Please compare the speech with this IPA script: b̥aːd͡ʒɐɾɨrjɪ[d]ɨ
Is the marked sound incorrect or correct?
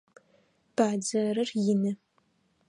incorrect